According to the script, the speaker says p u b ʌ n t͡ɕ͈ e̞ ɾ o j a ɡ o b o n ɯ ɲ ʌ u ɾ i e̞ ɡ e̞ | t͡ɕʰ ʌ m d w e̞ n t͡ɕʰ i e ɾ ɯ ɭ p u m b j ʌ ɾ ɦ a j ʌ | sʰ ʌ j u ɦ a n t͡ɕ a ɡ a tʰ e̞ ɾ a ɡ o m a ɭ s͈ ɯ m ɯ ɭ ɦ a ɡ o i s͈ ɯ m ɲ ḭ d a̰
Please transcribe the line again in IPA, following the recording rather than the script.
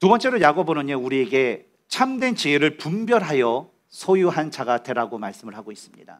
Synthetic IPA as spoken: t u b ʌ n t͡ɕ͈ e̞ ɾ o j a ɡ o b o n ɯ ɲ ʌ u ɾ i e̞ ɡ e̞ | t͡ɕʰ a m d w e̞ n t͡ɕ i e ɾ ɯ ɭ p u m b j ʌ ɾ ɦ a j ʌ | sʰ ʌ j u ɦ a n t͡ɕ a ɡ a tʰ e̞ ɾ a ɡ o m a ɭ s͈ ɯ m ɯ ɭ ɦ a ɡ o i s͈ ɯ m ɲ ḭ d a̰